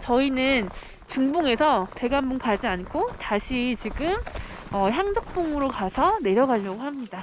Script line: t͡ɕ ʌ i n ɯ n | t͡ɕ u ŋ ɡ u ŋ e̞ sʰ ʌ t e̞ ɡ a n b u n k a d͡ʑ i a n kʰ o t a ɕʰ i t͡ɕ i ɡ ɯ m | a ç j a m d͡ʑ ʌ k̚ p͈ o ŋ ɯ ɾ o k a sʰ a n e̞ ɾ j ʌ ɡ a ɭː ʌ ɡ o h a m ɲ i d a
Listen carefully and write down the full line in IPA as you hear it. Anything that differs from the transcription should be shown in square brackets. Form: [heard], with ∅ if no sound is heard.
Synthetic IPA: t͡ɕ ʌ i n ɯ n | t͡ɕ u ŋ [b] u ŋ e̞ sʰ ʌ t e̞ ɡ a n b u n k a d͡ʑ i a n kʰ o t a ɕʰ i t͡ɕ i ɡ ɯ m | [ʌ] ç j a [ŋ] d͡ʑ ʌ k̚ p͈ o ŋ ɯ ɾ o k a sʰ [ʌ] n e̞ ɾ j ʌ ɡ a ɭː ʌ ɡ o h a m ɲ i d a